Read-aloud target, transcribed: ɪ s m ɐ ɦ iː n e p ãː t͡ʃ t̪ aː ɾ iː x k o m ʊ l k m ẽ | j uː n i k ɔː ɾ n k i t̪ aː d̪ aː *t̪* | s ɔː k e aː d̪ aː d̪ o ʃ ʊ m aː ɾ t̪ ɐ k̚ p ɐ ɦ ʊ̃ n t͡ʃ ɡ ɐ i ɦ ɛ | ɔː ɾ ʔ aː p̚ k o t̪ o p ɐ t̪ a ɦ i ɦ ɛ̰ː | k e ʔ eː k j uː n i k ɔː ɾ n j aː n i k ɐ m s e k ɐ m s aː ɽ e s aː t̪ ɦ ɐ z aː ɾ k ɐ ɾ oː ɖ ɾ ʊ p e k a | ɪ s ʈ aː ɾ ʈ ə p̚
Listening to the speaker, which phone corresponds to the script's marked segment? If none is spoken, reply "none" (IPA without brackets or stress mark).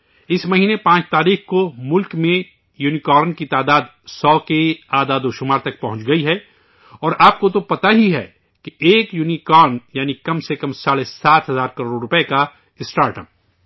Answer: d̪